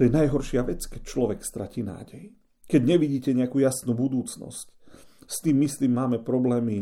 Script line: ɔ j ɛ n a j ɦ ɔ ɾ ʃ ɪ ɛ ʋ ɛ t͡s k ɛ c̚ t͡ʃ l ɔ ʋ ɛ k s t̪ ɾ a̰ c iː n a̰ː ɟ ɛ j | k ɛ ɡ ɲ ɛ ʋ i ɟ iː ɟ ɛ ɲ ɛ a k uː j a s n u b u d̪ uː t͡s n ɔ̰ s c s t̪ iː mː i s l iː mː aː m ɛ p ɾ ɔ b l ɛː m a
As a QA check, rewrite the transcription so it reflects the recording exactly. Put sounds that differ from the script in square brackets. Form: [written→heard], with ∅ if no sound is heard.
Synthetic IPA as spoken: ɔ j ɛ n a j ɦ ɔ ɾ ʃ ɪ [ɛ→a] ʋ ɛ t͡s k ɛ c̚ t͡ʃ l ɔ ʋ ɛ k s t̪ ɾ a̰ c iː n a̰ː ɟ ɛ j | k ɛ [ɡ→ɟ] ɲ ɛ ʋ i ɟ iː [ɟ→c] ɛ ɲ ɛ a k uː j a s n u b u d̪ uː t͡s n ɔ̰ s c s t̪ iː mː i s l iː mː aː m ɛ p ɾ ɔ b l ɛː m [a→i]